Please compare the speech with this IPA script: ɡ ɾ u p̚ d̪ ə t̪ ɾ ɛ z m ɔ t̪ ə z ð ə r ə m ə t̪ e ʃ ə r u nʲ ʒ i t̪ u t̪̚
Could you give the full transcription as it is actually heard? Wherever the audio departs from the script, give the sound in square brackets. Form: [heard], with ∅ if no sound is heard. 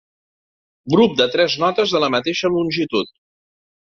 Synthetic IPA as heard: ɡ ɾ u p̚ d̪ ə t̪ ɾ ɛ z [n] ɔ t̪ ə z ð ə [l] ə m ə t̪ e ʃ ə [l] u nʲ ʒ i t̪ u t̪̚